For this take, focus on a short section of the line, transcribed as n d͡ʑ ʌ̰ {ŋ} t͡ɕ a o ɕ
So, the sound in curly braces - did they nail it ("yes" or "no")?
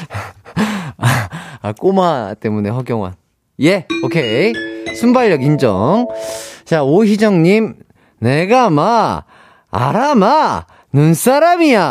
yes